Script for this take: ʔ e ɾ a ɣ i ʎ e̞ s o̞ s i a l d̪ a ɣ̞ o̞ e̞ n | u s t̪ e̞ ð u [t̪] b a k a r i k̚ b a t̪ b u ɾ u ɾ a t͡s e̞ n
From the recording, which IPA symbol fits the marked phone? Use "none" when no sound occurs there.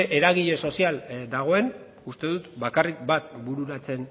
t̪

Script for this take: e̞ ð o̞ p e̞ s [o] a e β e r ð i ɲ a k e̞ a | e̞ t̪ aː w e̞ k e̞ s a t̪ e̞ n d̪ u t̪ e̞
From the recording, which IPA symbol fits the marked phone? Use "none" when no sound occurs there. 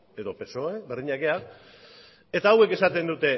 o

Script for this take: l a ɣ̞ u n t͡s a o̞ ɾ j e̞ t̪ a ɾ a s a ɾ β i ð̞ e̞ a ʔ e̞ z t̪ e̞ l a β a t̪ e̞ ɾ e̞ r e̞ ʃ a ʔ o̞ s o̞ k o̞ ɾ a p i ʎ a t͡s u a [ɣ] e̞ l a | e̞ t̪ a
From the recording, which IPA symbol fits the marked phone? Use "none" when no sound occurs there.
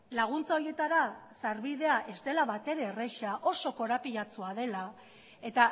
ð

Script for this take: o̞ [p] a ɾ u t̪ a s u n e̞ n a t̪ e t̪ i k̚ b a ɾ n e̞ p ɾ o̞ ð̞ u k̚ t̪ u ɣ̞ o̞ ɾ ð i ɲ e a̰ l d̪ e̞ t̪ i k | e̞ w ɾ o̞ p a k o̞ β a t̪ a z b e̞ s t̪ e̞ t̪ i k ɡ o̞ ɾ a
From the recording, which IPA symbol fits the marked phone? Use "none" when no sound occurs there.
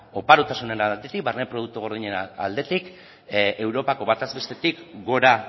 p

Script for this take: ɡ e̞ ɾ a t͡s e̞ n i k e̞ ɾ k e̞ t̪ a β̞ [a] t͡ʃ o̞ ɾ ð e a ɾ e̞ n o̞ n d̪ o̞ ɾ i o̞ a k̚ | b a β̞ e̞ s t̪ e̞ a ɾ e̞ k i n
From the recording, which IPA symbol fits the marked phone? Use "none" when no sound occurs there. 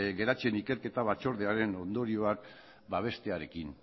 a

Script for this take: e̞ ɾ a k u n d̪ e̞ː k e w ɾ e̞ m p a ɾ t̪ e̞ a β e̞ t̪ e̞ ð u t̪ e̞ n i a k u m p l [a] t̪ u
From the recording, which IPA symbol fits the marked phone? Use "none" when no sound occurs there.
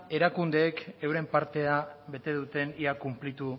i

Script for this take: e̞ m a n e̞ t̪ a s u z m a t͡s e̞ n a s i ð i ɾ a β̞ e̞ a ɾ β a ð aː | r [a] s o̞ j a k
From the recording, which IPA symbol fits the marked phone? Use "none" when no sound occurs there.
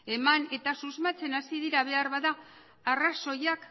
a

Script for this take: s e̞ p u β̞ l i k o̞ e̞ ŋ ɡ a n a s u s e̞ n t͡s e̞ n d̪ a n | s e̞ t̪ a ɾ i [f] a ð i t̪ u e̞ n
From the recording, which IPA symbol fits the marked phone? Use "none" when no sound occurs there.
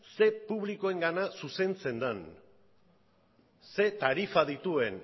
f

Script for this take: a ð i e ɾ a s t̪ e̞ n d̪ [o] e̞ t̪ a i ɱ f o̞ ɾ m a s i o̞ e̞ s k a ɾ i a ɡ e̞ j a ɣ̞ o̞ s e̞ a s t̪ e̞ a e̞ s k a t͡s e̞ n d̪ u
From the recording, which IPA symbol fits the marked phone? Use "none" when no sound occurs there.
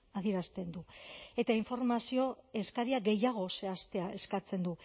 u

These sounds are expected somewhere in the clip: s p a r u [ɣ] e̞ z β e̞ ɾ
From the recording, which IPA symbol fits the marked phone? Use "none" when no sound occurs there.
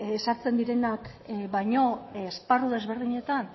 ð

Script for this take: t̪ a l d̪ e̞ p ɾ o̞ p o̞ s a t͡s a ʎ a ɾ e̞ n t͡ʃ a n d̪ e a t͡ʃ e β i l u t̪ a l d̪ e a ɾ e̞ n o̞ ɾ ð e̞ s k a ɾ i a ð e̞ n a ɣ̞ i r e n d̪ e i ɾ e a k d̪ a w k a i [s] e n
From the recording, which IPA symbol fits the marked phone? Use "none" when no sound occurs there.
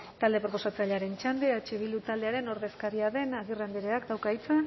t͡s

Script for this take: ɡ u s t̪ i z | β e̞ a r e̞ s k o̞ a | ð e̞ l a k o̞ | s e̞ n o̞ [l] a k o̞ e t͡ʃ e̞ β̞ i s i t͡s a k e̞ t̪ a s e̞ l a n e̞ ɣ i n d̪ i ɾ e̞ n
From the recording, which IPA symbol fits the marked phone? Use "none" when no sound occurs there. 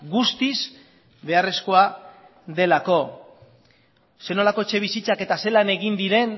l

